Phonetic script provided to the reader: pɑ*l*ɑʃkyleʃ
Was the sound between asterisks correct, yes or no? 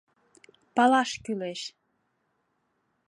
yes